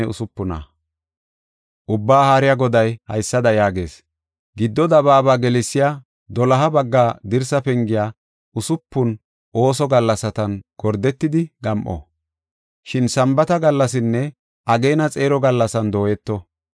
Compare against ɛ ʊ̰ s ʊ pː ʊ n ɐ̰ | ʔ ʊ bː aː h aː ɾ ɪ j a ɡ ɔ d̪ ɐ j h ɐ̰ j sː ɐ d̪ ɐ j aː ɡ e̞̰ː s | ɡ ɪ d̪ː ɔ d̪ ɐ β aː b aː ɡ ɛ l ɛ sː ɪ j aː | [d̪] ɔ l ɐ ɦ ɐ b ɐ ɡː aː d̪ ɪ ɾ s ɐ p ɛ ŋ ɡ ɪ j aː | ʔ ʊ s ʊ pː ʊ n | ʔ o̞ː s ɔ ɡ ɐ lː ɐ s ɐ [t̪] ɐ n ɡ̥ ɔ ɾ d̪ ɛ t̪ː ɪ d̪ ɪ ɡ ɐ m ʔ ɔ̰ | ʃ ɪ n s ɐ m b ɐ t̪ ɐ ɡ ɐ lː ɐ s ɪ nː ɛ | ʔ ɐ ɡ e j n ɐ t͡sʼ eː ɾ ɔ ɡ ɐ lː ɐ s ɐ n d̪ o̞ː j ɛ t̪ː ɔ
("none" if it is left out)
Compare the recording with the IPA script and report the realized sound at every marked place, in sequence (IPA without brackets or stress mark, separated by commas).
d̪, t̪